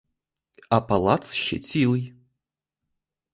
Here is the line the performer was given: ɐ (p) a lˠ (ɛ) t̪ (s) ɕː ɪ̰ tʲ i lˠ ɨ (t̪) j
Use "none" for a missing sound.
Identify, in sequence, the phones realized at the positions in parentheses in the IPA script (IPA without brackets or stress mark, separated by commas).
p, a, s, none